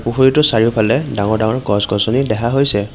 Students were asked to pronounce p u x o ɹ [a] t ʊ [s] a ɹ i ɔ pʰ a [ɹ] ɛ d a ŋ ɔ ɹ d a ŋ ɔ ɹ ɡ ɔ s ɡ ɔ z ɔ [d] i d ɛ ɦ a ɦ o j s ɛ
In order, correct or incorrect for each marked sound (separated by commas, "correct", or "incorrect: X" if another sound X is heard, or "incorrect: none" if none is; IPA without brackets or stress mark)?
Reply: incorrect: i, correct, incorrect: l, incorrect: n